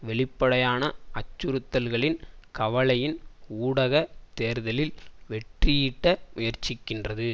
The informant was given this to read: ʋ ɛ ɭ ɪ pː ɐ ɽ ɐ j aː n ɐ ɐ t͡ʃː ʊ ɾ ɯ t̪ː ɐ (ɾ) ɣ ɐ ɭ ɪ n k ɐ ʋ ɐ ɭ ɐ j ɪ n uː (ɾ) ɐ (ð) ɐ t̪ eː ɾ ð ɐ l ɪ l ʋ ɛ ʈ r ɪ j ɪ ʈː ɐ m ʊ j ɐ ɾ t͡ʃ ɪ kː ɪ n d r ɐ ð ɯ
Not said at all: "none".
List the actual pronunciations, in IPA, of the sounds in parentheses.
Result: l, ɽ, ɣ

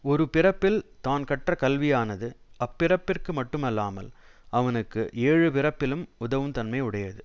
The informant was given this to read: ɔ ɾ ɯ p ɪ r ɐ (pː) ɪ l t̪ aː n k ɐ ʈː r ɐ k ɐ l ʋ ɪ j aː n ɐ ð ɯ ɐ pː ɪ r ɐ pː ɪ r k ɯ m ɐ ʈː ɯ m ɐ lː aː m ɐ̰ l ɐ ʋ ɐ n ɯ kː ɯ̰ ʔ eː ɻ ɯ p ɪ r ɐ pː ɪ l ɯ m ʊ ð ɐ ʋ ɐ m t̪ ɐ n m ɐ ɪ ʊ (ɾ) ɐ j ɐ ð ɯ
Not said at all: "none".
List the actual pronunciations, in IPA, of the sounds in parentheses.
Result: pː, ɽ

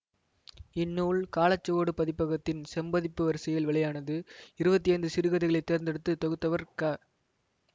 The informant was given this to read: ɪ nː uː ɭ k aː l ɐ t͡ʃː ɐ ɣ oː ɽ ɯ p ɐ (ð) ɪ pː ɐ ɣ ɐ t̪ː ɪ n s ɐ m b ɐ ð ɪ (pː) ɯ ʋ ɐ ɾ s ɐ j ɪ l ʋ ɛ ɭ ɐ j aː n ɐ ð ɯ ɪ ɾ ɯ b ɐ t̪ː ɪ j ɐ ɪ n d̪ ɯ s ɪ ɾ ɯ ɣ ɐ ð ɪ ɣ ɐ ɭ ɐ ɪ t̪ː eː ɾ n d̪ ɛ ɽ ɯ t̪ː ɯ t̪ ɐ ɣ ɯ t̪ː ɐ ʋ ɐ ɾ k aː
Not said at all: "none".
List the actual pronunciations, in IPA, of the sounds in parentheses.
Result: ð, pː

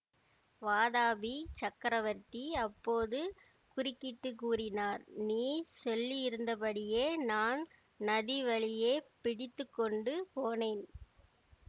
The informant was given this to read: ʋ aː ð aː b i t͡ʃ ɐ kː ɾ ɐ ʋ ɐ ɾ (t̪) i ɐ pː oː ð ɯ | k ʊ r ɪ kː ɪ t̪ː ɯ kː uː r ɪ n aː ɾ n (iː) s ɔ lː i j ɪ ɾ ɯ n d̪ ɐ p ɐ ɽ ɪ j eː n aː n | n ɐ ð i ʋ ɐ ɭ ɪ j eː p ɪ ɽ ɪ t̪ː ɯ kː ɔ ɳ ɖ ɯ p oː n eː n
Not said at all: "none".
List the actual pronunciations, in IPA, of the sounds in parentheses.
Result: t̪, iː

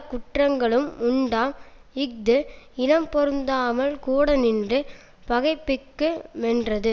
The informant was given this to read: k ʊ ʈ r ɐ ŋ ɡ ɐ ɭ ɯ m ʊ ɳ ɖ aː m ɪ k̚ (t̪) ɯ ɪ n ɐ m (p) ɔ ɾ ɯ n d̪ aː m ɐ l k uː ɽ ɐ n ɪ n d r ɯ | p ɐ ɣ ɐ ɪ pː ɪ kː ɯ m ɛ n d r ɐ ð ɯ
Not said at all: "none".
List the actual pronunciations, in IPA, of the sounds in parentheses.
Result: d̪, p

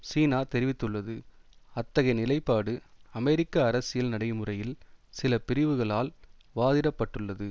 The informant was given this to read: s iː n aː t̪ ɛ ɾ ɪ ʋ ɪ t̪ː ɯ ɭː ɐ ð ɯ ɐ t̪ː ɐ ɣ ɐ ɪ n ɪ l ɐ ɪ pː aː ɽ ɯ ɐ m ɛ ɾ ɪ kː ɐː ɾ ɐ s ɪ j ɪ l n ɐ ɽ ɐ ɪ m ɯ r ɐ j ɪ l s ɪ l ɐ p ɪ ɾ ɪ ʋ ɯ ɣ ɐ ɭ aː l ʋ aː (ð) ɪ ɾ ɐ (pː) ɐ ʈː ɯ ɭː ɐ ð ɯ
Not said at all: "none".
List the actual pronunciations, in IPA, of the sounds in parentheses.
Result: ð, pː

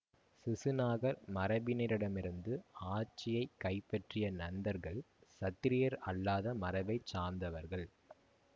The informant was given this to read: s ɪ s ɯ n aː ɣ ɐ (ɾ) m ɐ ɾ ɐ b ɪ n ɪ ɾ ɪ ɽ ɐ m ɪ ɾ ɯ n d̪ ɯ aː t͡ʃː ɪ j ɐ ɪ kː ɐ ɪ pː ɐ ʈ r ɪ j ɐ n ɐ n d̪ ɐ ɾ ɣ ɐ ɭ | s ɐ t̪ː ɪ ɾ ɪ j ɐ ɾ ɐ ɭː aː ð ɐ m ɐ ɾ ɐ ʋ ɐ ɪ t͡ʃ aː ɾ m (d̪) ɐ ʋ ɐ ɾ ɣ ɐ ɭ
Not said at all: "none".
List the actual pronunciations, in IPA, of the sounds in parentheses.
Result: ɾ, d̪

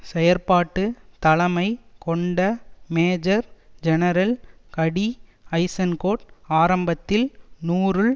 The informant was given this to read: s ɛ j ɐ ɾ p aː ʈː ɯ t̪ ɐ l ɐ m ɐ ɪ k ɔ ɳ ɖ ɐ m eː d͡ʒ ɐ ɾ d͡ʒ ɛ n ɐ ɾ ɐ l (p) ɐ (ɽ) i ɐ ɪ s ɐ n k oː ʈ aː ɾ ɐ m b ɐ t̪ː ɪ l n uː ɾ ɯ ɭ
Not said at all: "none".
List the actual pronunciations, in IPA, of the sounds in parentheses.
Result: k, ɽ

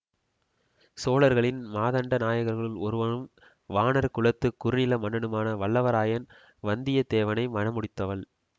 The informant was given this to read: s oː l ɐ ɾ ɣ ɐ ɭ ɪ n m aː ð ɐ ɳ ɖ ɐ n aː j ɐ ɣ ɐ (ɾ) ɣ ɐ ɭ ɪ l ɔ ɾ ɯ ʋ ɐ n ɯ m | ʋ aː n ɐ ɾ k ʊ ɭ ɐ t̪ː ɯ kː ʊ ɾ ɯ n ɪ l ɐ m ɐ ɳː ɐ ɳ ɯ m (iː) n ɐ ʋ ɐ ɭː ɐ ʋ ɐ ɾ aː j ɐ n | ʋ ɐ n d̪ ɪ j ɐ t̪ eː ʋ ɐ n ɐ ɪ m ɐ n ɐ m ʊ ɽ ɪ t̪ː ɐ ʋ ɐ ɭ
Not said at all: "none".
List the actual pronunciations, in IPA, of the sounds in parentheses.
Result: ɾ, aː

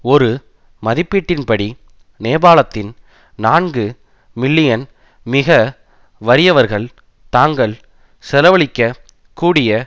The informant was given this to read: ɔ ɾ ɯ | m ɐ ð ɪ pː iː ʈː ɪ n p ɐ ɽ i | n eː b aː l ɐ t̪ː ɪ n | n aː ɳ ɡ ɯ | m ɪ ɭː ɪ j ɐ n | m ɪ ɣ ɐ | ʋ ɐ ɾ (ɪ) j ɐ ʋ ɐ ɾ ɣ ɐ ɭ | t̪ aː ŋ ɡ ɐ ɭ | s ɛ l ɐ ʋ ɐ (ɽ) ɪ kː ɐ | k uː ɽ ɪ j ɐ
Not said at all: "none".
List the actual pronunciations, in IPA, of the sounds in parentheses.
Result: ɪ, ɭ

